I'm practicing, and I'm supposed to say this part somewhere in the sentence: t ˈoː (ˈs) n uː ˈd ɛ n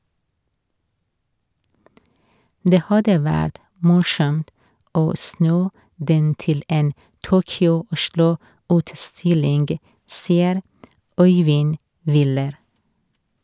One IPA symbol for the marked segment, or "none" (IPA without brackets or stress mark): s